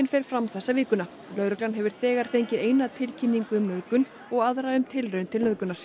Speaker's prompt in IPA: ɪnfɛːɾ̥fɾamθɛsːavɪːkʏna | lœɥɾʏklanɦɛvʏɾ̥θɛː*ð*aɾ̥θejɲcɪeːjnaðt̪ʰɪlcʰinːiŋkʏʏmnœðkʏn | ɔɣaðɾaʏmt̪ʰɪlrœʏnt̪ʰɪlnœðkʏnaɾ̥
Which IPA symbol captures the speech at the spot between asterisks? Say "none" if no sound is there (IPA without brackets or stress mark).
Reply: ɣ